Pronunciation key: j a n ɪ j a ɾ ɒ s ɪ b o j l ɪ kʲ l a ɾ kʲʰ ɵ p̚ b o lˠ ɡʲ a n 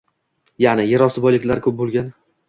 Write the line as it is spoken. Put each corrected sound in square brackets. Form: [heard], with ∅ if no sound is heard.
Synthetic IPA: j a n ɪ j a ɾ ɒ s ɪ b [ɒ] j l ɪ kʲ l a ɾ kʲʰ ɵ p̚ b o lˠ ɡʲ a n